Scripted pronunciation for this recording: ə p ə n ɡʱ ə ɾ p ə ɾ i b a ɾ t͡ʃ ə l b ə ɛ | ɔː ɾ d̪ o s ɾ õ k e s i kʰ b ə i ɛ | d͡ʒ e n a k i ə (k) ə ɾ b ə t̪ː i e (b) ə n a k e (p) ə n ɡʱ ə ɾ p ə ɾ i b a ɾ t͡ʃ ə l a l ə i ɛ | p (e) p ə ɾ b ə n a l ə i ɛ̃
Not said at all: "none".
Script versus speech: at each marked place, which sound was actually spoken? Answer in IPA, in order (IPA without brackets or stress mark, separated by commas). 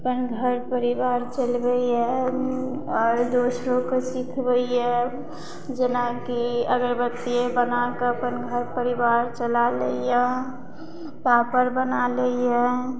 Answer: ɡ, b, p, a